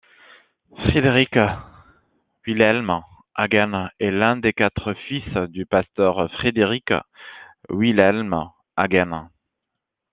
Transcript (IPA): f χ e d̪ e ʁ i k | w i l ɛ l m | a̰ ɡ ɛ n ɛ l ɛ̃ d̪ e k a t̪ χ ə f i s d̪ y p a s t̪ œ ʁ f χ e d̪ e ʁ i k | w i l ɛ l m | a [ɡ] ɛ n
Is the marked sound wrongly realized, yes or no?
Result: no